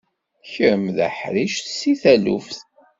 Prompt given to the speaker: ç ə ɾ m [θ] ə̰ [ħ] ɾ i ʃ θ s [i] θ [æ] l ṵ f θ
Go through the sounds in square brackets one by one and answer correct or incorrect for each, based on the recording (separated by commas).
incorrect, correct, correct, correct